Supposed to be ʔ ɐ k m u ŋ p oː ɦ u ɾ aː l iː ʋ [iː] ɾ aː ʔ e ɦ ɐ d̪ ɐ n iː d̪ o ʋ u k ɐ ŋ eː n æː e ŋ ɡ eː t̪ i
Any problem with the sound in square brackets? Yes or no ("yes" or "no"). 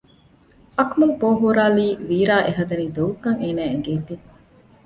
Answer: no